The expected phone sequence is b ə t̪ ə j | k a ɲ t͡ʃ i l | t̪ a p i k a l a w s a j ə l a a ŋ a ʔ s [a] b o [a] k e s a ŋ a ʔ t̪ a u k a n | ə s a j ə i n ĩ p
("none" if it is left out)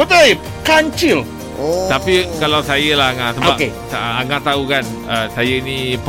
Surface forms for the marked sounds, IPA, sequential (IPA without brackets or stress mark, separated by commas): ə, a